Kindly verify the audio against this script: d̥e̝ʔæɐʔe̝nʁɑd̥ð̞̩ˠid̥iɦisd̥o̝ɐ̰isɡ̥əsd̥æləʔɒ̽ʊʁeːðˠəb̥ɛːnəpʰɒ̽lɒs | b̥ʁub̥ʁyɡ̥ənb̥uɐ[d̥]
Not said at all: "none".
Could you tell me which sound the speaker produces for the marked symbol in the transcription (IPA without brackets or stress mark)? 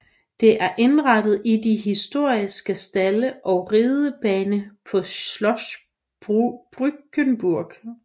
ɡ̥